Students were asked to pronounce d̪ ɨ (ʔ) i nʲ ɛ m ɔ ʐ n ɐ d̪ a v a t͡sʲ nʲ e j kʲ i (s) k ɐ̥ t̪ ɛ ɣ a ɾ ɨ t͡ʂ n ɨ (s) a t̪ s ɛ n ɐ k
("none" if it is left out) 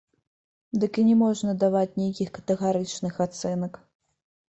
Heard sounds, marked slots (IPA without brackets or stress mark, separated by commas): k, x, x